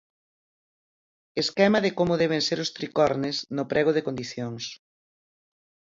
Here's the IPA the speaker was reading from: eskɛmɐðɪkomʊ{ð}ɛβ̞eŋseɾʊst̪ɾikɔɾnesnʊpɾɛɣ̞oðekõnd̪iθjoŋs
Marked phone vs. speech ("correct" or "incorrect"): correct